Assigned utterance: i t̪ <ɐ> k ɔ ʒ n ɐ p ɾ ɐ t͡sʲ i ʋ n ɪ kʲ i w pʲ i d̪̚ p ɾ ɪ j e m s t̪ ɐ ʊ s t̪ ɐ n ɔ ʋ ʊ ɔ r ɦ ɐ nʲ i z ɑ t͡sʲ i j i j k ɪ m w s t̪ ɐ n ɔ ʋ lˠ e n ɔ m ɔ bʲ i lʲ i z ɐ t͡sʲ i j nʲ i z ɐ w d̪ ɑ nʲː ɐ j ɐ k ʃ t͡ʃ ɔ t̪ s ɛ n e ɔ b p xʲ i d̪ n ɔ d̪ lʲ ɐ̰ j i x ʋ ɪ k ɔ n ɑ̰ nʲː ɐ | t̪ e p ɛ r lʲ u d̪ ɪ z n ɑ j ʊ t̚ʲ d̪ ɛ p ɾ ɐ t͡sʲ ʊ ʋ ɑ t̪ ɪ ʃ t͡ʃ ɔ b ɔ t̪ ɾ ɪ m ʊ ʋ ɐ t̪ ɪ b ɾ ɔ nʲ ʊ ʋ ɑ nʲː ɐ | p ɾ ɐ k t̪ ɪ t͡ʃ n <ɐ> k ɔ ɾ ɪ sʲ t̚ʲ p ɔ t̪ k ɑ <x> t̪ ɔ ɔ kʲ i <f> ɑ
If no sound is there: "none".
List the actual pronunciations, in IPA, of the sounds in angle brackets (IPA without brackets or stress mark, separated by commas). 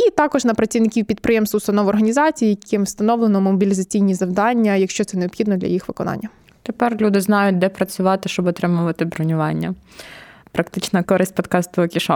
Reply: ɑ, ɐ, s, ʃ